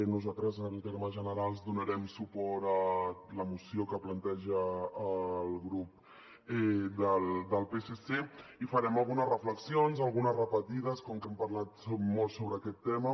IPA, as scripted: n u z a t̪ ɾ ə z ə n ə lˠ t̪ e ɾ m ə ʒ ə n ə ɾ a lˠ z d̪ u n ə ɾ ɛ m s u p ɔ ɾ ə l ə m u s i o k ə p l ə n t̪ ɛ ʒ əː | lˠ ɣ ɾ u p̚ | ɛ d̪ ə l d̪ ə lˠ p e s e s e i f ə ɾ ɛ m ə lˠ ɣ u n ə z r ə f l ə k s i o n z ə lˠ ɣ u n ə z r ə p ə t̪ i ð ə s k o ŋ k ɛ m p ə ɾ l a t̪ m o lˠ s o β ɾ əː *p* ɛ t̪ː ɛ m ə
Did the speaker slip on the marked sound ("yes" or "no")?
yes